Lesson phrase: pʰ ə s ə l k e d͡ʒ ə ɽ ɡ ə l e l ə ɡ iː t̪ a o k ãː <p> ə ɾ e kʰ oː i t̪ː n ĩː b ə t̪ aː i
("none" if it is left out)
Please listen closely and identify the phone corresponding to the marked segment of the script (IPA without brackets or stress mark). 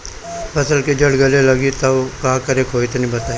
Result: k